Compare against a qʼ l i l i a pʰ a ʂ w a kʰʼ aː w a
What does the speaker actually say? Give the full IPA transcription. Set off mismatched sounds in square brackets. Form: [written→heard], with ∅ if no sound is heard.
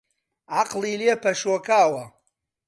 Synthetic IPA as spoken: a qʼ l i l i a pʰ a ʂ w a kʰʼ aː w a